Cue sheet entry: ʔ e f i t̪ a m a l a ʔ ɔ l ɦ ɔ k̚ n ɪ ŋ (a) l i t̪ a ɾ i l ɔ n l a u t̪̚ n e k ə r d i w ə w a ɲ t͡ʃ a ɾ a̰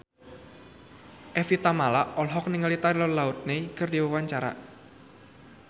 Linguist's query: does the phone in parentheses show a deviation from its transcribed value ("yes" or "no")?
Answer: yes